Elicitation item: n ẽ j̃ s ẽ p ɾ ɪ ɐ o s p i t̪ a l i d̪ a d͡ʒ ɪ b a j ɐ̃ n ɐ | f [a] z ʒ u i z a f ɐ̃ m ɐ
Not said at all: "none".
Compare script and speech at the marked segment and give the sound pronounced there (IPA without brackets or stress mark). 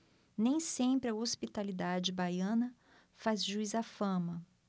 a